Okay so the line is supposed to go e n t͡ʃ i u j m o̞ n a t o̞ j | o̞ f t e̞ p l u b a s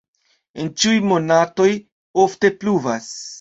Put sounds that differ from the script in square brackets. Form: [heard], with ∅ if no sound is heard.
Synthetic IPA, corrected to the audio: e n t͡ʃ i u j m o̞ n a t o̞ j | o̞ f t e̞ p l u [v] a s